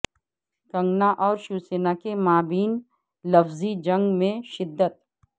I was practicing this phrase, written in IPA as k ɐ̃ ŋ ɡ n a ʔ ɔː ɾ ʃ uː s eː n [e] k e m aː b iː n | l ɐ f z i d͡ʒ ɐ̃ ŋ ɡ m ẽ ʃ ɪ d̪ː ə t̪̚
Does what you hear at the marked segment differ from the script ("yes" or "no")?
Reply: yes